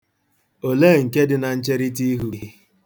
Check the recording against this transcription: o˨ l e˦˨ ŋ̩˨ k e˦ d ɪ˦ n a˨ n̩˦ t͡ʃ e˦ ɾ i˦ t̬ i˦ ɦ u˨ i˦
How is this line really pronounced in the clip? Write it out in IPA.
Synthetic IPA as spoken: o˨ l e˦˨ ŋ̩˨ k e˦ d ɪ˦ n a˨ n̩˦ t͡ʃ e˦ ɾ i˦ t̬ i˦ ɦ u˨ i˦